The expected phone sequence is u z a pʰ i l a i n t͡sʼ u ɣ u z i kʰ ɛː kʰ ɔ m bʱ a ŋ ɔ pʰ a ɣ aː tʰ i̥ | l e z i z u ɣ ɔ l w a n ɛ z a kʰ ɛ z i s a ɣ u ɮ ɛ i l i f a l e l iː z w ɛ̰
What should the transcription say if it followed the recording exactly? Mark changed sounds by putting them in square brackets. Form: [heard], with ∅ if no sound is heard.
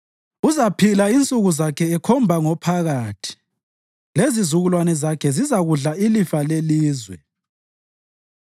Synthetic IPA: u z a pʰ i l a i n t͡sʼ u ɣ u z [a] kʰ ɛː kʰ ɔ m bʱ a ŋ ɔ pʰ a ɣ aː tʰ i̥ | l e z i z u ɣ [u] l w a n ɛ z a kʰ ɛ z i [z] a ɣ u ɮ [a] i l i f a l e l iː z w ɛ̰